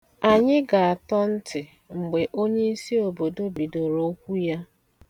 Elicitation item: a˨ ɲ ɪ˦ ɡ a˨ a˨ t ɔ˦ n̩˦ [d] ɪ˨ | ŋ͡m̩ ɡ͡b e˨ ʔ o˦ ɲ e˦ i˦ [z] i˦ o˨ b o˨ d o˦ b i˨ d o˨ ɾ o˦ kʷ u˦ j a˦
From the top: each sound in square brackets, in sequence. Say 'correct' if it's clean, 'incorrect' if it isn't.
incorrect: t, incorrect: s

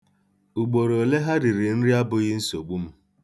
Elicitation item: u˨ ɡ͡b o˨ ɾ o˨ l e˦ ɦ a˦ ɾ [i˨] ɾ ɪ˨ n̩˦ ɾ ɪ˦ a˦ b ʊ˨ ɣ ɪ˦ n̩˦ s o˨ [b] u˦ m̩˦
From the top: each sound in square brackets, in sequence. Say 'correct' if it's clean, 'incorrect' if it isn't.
correct, incorrect: ɡ͡b

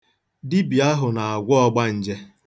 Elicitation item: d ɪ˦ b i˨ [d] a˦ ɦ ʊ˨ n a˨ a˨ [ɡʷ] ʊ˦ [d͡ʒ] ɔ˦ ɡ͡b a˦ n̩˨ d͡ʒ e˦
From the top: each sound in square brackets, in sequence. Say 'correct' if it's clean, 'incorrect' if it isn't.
incorrect: none, correct, incorrect: none

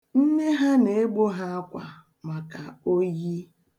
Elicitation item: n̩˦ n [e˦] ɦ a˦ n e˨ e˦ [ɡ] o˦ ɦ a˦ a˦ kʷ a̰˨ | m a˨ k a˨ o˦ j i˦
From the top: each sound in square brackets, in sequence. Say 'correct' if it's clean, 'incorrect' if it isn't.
correct, incorrect: ɡ͡b

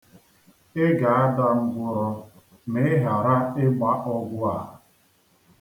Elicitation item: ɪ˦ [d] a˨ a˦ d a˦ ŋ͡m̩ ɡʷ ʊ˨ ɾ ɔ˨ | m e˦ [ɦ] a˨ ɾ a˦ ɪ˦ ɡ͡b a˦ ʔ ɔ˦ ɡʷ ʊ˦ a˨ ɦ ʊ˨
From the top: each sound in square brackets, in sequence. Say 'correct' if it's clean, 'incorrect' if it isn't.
incorrect: ɡ, correct

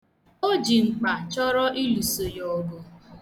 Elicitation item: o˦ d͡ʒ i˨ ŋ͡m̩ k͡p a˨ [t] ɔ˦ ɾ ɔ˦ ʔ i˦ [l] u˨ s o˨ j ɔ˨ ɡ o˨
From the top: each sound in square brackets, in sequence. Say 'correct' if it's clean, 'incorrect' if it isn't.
incorrect: t͡ʃ, correct

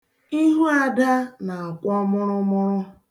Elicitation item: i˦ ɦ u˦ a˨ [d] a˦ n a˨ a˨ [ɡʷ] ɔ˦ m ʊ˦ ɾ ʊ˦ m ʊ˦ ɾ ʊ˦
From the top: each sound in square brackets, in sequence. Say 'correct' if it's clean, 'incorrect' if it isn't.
correct, incorrect: kʷ

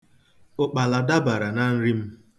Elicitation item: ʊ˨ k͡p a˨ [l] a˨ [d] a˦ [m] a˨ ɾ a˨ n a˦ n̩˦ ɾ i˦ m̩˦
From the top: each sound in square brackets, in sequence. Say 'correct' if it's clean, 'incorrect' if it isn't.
correct, correct, incorrect: b

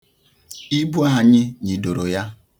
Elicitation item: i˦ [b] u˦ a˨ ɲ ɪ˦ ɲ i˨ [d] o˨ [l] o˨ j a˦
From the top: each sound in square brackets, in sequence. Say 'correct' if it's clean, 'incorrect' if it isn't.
correct, correct, incorrect: ɾ

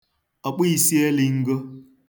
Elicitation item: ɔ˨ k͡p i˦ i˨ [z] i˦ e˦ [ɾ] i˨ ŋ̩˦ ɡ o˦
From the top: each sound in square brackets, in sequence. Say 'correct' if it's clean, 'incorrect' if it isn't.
incorrect: s, incorrect: l

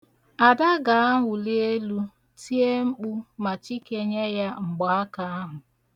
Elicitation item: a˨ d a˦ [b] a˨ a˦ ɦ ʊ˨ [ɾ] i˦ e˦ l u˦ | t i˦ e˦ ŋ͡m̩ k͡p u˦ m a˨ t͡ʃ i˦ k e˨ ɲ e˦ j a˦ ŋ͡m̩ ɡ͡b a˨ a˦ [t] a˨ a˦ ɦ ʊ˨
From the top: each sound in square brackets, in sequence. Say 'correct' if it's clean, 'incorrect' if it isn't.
incorrect: ɡ, incorrect: l, incorrect: k

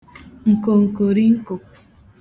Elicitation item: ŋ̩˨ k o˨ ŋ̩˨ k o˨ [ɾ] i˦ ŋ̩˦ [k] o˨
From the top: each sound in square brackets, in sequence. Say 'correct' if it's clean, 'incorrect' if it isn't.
correct, correct

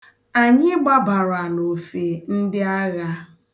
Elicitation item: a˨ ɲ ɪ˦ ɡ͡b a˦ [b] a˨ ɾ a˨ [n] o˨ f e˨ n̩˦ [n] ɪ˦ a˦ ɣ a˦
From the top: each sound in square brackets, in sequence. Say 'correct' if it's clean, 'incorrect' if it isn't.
correct, correct, incorrect: d

